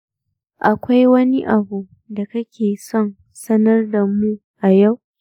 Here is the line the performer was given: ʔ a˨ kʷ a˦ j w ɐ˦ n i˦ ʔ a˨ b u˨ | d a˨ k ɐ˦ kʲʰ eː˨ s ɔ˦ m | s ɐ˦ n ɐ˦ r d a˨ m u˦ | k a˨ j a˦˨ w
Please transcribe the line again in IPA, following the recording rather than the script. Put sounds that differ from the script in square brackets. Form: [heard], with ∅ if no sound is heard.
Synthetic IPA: ʔ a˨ kʷ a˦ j w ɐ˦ n i˦ ʔ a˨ b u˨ | d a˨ k ɐ˦ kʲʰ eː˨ s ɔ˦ [n] | s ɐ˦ n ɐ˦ r d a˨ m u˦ | [ʔ] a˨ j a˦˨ w

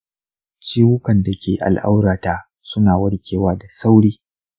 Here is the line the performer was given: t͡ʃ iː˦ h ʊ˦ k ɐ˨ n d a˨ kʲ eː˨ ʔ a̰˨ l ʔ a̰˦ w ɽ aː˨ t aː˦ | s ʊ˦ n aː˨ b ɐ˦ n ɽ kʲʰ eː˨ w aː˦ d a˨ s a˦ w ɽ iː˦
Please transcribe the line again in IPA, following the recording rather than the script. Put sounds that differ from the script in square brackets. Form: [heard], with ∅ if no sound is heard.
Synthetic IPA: t͡ʃ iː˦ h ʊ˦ k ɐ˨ n d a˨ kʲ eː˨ ʔ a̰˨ l ʔ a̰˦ w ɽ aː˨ t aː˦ | s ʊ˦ n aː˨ [w] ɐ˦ [∅] ɽ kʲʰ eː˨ w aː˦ d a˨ s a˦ w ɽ iː˦

